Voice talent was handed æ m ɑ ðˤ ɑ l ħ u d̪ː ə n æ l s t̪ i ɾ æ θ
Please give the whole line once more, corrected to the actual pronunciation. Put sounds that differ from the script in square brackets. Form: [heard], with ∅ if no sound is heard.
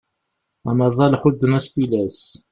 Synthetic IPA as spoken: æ m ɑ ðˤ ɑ l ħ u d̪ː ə n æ [∅] s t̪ i [l] æ [s]